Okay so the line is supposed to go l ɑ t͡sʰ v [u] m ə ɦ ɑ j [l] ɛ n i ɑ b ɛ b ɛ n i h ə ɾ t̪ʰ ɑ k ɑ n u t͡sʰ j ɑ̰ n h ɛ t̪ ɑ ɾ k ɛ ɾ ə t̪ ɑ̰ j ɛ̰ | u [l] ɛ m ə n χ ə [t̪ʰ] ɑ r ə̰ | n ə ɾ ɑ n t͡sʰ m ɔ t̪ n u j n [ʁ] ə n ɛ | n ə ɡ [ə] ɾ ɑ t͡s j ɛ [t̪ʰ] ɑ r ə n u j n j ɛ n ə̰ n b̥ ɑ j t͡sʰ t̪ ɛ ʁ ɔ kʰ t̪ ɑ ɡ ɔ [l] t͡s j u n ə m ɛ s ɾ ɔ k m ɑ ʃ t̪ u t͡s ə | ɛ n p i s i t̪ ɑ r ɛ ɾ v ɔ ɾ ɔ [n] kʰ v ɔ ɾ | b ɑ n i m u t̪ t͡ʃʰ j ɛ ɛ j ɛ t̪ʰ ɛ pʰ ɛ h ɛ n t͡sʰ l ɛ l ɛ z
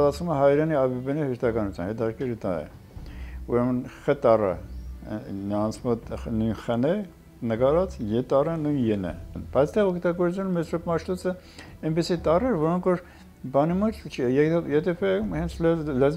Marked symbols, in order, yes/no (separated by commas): yes, no, no, no, no, no, no, no, no